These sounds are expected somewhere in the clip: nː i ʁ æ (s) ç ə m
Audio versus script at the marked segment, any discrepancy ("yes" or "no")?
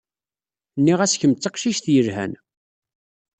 no